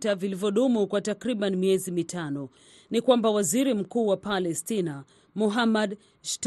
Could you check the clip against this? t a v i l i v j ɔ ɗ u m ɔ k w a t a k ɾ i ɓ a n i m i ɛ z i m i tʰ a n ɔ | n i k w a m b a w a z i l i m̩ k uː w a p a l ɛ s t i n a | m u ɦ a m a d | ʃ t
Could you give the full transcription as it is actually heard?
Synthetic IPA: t a v i l i v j ɔ ɗ u m u k w a t a k ɾ i ɓ a n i m i ɛ z i m i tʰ a n ɔ | n i k w a m b a w a z i ɾ i m̩ k uː w a p a l ɛ s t i n a | m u ɦ a m a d | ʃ t